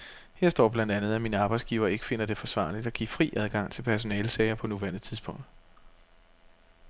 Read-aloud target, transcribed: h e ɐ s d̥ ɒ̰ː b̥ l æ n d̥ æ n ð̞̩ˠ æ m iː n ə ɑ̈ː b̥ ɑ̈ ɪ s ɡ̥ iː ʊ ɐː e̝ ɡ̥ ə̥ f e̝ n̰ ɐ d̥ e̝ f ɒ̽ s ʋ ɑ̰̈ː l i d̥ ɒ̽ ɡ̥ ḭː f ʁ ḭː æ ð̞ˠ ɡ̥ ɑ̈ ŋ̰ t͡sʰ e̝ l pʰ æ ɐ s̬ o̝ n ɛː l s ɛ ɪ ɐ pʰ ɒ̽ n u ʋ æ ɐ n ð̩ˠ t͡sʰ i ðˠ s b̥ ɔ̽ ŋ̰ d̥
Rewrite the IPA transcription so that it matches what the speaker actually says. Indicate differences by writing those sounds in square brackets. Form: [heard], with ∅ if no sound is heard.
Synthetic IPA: h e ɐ s d̥ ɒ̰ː b̥ l æ n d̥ æ n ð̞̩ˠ æ m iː n ə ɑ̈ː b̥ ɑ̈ ɪ s ɡ̥ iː ʊ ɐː e̝ ɡ̥ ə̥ f e̝ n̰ ɐ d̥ e̝ f ɒ̽ s ʋ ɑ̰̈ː l i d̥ ɒ̽ ɡ̥ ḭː f ʁ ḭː æ ð̞ˠ ɡ̥ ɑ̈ ŋ̰ t͡sʰ e̝ l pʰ æ ɐ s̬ o̝ n ɛː l s ɛ ɪ ɐ pʰ ɒ̽ n u ʋ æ ɐ n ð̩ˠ t͡sʰ i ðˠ s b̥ ɔ̽ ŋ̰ d̥